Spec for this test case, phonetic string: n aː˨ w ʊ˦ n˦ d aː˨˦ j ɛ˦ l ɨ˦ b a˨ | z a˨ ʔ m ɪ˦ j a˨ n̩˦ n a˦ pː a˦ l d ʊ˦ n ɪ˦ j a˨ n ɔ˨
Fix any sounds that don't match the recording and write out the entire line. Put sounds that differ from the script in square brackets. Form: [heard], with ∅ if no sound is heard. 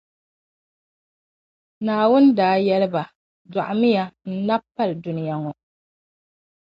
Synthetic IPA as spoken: n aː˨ w ʊ˦ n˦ d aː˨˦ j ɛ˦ l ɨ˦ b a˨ | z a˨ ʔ m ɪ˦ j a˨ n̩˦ n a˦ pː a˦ l d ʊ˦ n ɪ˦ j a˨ [ŋ] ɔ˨